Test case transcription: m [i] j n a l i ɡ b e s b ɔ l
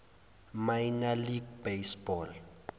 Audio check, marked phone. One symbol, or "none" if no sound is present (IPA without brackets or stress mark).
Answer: a